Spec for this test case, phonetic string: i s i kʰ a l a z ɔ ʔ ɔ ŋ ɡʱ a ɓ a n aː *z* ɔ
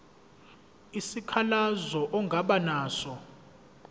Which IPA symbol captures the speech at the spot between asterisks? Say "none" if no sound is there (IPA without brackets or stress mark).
s